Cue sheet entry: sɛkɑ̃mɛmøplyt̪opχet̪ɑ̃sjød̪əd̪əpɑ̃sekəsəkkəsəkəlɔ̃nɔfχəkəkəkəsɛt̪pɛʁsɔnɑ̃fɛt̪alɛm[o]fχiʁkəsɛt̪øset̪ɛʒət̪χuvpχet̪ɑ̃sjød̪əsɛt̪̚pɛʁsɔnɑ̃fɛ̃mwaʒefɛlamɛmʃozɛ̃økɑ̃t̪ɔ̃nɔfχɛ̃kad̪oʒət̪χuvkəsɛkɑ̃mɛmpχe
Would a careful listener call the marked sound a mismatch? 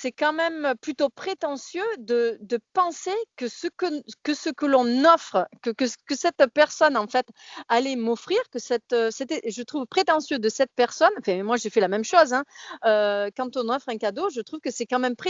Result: yes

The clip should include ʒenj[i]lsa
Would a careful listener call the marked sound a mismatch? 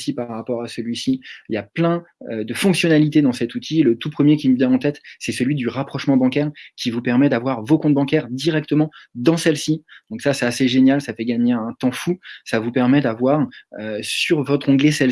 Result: yes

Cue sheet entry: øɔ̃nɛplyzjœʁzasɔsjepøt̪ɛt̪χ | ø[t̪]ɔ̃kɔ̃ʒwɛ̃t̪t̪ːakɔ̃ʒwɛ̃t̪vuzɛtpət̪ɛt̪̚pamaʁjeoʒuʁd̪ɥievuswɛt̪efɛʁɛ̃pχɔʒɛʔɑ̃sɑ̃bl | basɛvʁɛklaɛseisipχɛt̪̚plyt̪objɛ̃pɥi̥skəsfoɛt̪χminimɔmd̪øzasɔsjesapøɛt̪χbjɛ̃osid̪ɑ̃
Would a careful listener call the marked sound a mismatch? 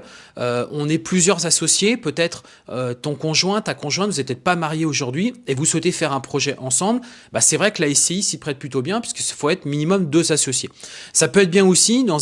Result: no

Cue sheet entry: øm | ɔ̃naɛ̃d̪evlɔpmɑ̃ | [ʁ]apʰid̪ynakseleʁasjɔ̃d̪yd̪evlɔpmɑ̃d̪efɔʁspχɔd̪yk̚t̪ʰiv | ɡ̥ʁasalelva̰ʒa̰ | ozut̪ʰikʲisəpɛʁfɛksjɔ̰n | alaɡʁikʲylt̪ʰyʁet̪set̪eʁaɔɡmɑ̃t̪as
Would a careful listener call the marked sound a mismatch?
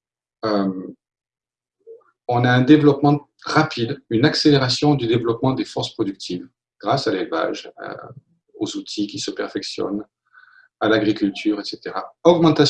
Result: no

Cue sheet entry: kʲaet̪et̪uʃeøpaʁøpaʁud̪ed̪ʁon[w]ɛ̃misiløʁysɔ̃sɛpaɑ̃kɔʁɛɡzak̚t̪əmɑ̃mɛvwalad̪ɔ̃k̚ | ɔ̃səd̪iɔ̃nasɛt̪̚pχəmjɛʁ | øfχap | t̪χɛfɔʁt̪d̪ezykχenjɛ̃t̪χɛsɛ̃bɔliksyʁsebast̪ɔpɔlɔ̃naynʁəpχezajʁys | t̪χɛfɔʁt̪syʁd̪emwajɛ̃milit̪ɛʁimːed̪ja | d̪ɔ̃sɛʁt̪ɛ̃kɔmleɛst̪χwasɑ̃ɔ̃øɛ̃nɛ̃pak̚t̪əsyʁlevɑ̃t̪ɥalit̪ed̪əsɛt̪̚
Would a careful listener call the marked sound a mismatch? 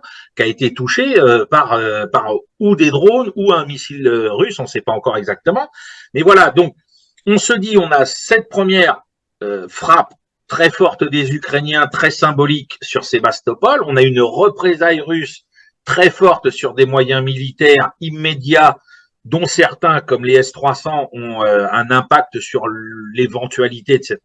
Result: yes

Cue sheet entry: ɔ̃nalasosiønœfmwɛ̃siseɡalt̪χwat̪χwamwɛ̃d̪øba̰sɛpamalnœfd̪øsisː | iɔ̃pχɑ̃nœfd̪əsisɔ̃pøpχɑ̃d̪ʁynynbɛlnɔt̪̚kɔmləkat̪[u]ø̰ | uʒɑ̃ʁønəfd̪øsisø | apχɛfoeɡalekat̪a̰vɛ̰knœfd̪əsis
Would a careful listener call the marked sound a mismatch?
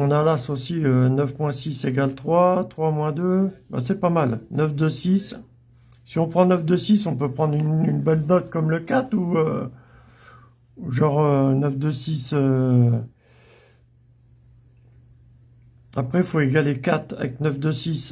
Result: no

